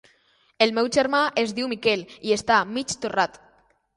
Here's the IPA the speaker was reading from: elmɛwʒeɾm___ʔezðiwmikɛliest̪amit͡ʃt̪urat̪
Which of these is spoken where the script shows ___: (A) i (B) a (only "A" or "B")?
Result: B